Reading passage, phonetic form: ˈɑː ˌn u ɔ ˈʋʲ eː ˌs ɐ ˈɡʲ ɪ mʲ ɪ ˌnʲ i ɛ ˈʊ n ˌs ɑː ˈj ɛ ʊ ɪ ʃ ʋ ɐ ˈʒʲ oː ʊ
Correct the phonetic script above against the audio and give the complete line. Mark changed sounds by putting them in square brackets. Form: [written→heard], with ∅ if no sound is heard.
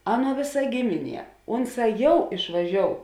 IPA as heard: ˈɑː ˌn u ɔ ˈʋʲ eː ˌs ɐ ˈɡʲ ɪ mʲ ɪ ˌnʲ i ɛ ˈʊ n ˌs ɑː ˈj ɛ ʊ ɪ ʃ ʋ ɐ ˈʒʲ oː ʊ